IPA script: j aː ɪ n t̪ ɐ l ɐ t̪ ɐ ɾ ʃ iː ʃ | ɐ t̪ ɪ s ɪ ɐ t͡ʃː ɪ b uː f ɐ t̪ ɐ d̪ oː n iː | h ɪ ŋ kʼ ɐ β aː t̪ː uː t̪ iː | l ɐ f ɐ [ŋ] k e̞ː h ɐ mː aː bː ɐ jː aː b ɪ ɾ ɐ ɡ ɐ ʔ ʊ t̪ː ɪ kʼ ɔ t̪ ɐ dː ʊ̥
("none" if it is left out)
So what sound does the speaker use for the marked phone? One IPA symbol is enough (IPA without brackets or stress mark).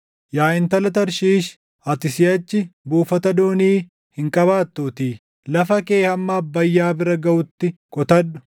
none